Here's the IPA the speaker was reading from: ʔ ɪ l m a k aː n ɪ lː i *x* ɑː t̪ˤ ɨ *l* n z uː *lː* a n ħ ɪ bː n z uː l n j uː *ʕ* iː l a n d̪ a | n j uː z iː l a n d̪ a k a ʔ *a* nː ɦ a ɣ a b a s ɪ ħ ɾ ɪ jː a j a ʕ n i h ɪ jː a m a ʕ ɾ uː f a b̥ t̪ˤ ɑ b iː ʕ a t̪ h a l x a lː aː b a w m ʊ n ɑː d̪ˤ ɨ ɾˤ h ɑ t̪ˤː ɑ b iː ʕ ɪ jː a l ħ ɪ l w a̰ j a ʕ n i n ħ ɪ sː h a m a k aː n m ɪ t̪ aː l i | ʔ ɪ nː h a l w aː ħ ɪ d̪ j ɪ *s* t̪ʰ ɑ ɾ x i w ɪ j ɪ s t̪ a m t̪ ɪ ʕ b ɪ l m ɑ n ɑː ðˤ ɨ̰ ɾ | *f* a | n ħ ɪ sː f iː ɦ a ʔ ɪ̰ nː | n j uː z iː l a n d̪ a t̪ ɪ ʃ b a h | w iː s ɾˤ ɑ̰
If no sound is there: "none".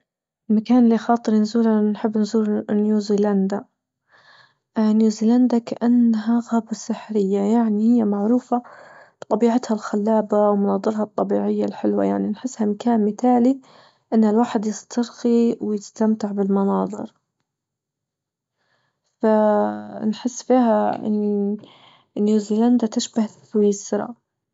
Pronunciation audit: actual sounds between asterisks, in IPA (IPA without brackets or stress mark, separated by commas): x, ɾ, l, z, a, s, f